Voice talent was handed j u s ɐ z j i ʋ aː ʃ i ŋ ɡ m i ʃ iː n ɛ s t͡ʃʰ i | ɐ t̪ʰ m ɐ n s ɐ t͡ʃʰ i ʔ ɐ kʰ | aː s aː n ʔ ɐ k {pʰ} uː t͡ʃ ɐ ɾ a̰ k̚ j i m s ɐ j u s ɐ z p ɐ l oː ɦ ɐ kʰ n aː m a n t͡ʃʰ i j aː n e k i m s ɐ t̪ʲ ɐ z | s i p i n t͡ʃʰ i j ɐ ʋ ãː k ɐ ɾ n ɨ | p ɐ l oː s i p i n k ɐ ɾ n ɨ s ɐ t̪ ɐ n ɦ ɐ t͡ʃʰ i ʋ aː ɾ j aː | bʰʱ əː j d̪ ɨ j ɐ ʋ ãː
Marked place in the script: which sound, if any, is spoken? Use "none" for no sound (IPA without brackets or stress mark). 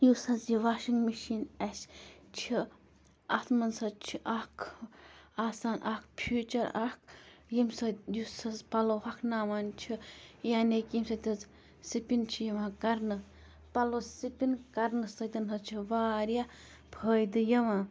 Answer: pʰ